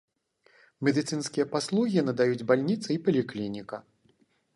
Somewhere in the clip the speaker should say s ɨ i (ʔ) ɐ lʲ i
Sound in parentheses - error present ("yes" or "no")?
yes